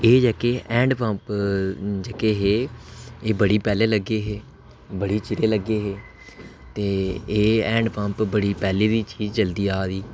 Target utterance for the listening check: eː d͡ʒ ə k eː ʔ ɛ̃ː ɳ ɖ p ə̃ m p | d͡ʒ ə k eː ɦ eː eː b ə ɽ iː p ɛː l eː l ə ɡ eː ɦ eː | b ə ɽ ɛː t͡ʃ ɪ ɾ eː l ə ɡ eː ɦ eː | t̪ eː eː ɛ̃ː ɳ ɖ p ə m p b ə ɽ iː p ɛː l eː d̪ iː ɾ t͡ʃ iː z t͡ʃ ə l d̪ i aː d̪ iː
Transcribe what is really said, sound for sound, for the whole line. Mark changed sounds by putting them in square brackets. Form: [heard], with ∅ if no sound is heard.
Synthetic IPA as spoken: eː d͡ʒ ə k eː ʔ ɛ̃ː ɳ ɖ p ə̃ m p | d͡ʒ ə k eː ɦ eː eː b ə ɽ iː p ɛː l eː l ə ɡ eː ɦ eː | b ə ɽ [iː] t͡ʃ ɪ ɾ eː l ə ɡ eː ɦ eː | t̪ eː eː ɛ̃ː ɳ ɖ p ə m p b ə ɽ iː p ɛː l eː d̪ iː [∅] t͡ʃ iː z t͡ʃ ə l d̪ [iː] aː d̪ iː

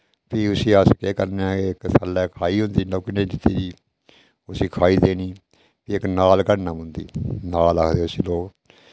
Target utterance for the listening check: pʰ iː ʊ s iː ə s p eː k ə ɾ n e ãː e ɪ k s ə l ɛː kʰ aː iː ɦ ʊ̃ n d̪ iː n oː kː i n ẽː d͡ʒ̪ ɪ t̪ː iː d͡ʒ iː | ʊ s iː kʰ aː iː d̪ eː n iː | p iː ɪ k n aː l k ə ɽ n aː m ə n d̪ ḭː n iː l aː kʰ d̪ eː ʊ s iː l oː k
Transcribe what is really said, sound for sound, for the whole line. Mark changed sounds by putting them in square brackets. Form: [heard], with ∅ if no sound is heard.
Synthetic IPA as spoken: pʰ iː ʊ s iː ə s [k] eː k ə ɾ n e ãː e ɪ k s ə l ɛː kʰ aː iː ɦ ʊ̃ n d̪ iː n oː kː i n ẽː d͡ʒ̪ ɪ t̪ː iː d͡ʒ iː | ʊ s iː kʰ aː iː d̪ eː n iː | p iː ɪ k n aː l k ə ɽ n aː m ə n d̪ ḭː n [aː] l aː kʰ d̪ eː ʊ s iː l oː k

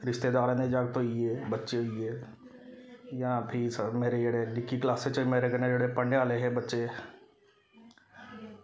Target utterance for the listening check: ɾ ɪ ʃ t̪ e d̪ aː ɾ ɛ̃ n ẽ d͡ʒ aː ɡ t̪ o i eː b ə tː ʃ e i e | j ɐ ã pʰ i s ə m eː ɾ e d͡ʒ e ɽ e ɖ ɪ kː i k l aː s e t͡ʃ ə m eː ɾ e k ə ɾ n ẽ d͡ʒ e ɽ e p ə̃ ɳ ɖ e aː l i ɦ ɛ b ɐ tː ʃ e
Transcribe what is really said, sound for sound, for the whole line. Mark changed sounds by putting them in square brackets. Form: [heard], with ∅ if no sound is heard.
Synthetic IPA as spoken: ɾ ɪ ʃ t̪ e d̪ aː ɾ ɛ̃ n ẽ d͡ʒ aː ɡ t̪ o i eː b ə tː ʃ e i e | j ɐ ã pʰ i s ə m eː ɾ e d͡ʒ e ɽ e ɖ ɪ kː i k l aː s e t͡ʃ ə m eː ɾ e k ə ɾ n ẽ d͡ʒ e ɽ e p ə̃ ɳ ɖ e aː l [e] ɦ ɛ b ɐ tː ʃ e

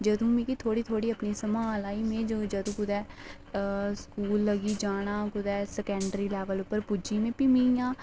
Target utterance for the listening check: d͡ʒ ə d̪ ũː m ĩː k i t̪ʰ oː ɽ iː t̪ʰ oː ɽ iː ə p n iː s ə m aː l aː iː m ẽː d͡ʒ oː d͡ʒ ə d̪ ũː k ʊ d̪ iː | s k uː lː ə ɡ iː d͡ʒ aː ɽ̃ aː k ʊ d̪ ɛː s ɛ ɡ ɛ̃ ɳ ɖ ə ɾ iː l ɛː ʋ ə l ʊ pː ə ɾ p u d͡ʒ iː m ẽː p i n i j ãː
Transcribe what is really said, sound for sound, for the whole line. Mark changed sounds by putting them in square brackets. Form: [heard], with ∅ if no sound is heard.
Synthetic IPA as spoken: d͡ʒ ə d̪ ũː m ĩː k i t̪ʰ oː ɽ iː t̪ʰ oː ɽ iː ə p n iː s ə m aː l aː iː m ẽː d͡ʒ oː d͡ʒ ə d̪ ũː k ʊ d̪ [ɛː] | s k uː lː ə ɡ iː d͡ʒ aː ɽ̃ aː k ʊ d̪ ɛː s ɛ [k] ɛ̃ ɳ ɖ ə ɾ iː l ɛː ʋ ə l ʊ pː ə ɾ p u d͡ʒ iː m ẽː p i [m] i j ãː

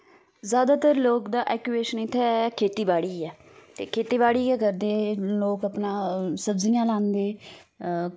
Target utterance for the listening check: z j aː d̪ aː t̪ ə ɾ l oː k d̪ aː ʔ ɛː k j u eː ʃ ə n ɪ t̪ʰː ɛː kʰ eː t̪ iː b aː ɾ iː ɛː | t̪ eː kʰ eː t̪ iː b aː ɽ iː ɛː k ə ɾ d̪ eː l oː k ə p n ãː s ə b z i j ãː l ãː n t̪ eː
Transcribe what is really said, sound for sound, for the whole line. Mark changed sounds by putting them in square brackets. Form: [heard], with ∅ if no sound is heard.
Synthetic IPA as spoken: z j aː d̪ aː t̪ ə ɾ l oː k d̪ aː ʔ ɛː k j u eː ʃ ə n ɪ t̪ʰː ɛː kʰ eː t̪ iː b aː [ɽ] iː ɛː | t̪ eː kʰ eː t̪ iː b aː ɽ iː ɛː k ə ɾ d̪ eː l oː k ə p n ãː s ə b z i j ãː l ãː n [d̪] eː

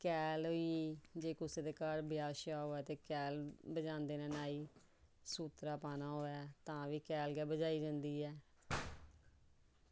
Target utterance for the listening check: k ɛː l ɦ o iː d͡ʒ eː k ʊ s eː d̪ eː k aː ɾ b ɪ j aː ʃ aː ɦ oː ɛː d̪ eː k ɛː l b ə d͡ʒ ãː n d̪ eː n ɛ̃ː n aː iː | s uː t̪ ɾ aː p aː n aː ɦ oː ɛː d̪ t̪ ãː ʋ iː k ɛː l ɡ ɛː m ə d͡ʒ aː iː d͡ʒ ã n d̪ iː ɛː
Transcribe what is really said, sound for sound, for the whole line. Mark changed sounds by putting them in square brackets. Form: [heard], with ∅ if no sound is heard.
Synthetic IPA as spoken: k ɛː l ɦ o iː d͡ʒ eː k ʊ s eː d̪ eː k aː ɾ b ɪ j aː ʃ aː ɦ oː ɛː [t̪] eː k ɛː l b ə d͡ʒ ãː n d̪ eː n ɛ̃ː n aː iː | s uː t̪ ɾ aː p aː n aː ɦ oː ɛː [∅] t̪ ãː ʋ iː k ɛː l ɡ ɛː [b] ə d͡ʒ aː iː d͡ʒ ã n d̪ iː ɛː

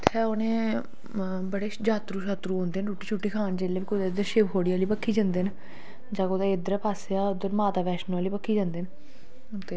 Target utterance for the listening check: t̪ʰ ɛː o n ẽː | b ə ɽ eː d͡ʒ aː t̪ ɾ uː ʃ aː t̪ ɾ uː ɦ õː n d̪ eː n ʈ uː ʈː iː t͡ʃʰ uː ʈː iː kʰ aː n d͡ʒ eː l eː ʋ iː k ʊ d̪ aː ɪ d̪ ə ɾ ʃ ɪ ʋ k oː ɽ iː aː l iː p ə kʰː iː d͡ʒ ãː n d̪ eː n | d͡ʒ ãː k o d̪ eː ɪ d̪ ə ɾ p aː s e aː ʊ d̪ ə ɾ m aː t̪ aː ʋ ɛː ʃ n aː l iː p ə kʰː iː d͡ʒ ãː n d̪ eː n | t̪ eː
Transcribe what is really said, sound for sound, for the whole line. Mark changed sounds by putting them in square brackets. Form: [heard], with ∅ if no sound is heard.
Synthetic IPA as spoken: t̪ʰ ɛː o n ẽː | b ə ɽ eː d͡ʒ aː t̪ ɾ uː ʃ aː t̪ ɾ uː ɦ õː n d̪ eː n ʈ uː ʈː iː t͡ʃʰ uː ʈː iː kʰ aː n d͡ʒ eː l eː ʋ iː k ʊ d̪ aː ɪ d̪ ə ɾ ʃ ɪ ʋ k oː ɽ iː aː l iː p ə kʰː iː d͡ʒ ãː n d̪ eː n | d͡ʒ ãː k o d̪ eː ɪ d̪ ə ɾ p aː s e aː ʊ d̪ ə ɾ m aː t̪ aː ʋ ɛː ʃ n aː l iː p ə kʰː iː d͡ʒ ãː n d̪ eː n | t̪ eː

